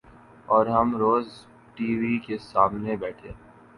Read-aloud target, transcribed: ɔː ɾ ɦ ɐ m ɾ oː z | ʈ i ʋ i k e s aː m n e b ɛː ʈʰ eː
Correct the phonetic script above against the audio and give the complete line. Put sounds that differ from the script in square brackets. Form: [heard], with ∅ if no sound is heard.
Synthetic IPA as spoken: ɔː ɾ ɦ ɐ m ɾ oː z | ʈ [iː] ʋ i k e s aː m n e b ɛː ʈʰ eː